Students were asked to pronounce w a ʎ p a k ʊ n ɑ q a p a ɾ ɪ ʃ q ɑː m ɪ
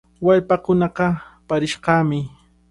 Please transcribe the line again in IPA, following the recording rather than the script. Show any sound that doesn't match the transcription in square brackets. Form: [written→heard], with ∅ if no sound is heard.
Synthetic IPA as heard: w a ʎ p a k ʊ n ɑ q [a→ɑ] p a ɾ ɪ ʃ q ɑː m ɪ